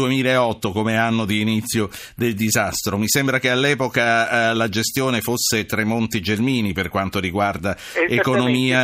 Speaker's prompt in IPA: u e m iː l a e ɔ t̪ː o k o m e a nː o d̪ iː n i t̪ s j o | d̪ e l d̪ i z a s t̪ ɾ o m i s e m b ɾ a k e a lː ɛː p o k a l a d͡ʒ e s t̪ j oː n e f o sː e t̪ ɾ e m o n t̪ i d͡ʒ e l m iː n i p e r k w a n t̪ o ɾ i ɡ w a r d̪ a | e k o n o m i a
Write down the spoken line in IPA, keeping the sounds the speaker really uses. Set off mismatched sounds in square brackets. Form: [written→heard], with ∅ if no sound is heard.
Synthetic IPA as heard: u e m iː l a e ɔ t̪ː o k o m e a nː o d̪ iː n i t̪ [s→sː] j o | d̪ e l d̪ i z a s t̪ ɾ o m i s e m b ɾ a k e a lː ɛː p o k a l a d͡ʒ e s t̪ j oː n e f o sː e t̪ ɾ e m o n t̪ i d͡ʒ e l m iː n i p e r k w a n t̪ o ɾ i ɡ w a r d̪ a | e k o n o m [i→iː] a